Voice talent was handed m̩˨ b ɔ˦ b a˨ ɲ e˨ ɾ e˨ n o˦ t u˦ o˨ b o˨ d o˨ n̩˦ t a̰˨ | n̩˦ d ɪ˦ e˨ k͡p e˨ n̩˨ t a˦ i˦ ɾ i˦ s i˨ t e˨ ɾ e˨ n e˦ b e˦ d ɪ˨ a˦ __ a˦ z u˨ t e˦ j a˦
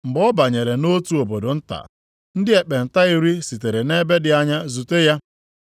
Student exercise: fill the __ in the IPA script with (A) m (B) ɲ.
B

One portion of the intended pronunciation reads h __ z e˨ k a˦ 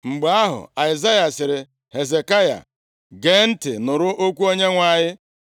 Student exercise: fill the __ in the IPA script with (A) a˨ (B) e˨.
B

